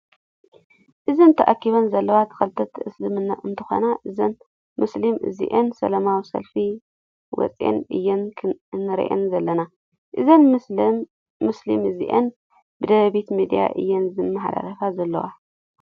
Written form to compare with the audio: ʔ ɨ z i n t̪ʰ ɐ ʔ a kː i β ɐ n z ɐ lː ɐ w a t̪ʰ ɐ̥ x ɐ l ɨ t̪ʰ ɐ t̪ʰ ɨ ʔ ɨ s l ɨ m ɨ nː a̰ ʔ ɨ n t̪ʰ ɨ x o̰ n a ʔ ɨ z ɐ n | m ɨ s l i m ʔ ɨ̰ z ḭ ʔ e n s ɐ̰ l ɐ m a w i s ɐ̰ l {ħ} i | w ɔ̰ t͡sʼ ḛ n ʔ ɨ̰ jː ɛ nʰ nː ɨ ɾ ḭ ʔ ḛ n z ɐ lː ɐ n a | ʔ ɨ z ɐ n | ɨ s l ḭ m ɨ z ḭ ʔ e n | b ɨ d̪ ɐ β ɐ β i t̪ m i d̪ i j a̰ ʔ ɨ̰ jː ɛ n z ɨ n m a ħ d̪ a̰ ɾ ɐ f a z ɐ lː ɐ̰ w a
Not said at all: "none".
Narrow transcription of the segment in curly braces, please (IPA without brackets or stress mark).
f